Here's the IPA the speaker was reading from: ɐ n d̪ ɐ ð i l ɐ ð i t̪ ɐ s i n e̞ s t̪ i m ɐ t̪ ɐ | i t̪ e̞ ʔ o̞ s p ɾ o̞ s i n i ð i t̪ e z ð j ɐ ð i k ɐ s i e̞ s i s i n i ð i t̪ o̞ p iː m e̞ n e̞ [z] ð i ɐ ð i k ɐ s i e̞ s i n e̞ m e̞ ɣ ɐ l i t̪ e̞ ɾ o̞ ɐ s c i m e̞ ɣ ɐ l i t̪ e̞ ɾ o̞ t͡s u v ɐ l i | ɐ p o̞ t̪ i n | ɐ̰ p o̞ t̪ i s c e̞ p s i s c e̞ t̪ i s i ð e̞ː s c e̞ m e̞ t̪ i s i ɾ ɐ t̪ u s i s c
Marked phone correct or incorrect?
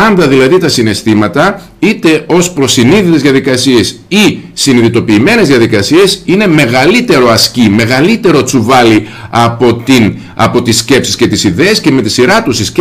correct